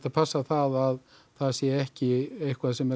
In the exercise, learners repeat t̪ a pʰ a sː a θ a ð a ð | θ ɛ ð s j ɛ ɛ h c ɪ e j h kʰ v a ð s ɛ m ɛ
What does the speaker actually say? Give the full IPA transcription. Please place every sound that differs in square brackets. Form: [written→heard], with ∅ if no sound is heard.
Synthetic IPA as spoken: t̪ a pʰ a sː a θ a ð a ð | θ [ɛ→a] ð s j ɛ ɛ h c ɪ e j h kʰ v a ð s ɛ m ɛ